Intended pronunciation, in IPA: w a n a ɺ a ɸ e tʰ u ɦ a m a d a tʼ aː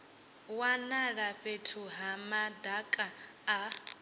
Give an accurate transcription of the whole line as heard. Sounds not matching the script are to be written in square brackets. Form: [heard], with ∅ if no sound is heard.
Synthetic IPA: w a n a ɺ a ɸ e tʰ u ɦ a m a d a [kʼ] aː